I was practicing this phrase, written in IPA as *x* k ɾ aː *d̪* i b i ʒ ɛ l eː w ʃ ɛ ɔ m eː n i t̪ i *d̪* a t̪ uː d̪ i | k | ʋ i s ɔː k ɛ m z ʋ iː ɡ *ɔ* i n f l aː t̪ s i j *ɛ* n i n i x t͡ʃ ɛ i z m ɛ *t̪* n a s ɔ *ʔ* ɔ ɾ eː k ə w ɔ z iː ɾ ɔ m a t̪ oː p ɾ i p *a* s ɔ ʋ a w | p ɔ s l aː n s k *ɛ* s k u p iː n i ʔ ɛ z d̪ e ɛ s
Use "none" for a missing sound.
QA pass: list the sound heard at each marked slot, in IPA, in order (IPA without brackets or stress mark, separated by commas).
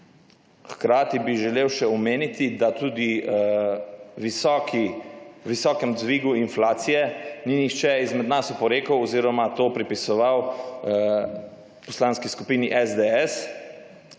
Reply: x, t̪, d̪, u, ɛ, d̪, p, i, i